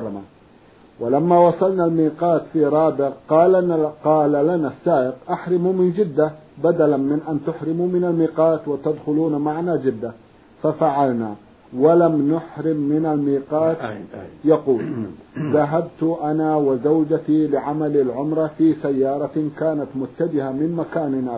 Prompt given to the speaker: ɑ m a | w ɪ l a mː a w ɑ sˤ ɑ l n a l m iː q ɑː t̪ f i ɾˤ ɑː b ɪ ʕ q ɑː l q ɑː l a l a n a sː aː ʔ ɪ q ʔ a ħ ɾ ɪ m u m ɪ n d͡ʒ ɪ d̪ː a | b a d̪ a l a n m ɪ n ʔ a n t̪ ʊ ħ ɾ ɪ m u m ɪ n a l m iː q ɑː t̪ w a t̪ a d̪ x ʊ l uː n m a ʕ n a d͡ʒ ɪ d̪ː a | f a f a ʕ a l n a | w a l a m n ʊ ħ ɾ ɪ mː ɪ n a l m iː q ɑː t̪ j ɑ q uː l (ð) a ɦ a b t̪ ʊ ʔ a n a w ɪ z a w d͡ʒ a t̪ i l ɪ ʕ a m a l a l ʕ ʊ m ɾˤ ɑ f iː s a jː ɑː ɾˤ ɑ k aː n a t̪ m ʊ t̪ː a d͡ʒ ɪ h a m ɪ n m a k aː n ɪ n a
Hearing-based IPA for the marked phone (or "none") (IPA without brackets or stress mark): ð